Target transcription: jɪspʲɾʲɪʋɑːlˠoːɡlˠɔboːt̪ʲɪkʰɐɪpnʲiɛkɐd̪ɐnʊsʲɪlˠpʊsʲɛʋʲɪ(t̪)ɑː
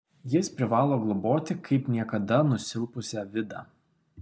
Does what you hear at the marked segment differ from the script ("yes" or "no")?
yes